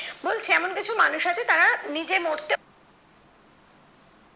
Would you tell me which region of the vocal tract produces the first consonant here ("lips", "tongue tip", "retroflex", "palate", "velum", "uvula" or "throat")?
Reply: lips